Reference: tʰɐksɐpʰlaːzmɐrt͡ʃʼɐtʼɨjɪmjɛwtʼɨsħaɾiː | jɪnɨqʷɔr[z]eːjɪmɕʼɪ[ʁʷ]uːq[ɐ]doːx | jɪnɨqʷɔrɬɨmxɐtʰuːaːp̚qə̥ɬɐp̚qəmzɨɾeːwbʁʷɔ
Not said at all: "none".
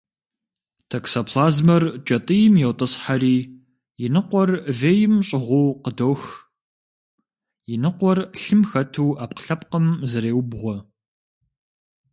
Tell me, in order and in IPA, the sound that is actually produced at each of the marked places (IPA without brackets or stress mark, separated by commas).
v, ʁʷ, ə